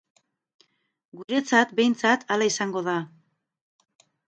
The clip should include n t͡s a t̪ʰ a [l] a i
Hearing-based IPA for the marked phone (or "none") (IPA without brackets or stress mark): l